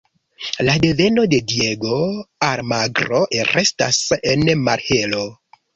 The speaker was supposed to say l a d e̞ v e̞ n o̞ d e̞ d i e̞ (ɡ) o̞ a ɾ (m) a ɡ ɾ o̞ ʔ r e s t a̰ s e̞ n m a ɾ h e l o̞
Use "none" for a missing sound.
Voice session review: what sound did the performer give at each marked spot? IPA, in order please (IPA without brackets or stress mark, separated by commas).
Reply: ɡ, m